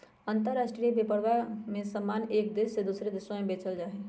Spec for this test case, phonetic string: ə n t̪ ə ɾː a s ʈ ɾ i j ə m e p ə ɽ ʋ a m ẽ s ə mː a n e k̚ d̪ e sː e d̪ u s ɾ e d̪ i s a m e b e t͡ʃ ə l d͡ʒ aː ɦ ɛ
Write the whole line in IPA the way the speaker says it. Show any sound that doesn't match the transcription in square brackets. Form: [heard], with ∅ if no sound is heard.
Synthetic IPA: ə n t̪ ə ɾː a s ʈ ɾ i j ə [b] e p ə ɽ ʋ a m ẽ s ə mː a n e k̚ d̪ e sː e d̪ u s ɾ e d̪ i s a m e b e t͡ʃ ə l d͡ʒ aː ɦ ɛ